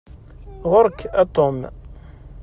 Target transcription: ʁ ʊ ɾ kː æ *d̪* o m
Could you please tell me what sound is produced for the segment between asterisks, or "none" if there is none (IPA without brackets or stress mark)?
t̪